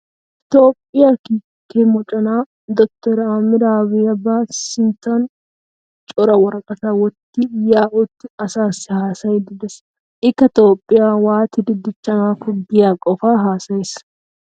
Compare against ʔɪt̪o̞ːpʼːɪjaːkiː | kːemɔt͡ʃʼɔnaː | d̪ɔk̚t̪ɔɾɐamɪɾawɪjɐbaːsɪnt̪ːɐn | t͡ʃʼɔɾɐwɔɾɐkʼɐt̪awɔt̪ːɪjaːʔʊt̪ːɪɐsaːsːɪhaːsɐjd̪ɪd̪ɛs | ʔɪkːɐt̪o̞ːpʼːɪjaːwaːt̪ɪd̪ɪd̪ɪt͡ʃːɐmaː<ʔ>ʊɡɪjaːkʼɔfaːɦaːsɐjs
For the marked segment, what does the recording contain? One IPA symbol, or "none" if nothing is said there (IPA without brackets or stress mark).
k